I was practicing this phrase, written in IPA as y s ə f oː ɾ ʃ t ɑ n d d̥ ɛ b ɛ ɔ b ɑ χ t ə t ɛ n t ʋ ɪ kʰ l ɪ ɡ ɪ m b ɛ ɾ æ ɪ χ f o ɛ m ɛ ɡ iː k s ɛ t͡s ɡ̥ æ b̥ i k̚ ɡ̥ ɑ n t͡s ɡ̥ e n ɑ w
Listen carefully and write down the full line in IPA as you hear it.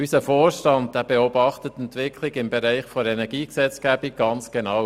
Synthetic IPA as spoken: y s ə f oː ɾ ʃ t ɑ n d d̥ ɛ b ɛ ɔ b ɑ χ t ə t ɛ n t ʋ ɪ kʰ l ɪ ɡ ɪ m b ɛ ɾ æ ɪ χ f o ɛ n ɛ ɡ iː k s ɛ t͡s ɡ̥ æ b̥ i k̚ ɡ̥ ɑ n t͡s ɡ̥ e n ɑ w